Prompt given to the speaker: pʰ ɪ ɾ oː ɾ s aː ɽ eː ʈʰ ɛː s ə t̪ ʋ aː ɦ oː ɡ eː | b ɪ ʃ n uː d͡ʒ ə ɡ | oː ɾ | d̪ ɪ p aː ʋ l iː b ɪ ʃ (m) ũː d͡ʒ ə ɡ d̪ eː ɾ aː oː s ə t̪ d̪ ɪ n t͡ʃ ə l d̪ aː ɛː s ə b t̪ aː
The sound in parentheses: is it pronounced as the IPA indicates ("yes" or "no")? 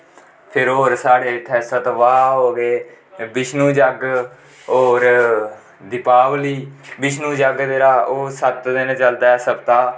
no